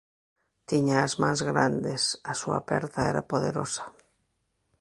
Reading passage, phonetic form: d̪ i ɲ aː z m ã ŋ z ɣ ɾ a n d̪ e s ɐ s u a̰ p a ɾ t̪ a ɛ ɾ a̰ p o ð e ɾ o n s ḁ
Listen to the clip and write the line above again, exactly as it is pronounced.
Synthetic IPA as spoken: t̪ i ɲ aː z m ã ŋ z ɣ ɾ a n d̪ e s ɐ s u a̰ p ɛ ɾ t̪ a ɛ ɾ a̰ p o ð e ɾ o s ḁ